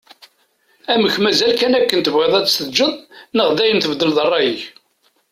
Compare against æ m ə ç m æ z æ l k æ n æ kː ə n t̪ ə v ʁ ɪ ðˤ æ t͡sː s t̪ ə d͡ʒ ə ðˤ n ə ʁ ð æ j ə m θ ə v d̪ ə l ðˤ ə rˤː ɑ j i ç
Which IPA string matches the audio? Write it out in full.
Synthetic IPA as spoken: æ m ə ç m æ z æ l k æ n æ kː ə n t̪ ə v ʁ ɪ ðˤ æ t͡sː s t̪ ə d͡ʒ ə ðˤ n ə ʁ ð æ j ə n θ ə v d̪ ə l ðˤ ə rˤː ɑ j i ç